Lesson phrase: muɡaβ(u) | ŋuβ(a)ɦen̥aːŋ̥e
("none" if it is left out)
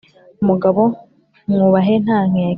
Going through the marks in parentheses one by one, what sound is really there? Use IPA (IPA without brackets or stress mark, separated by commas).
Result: o, a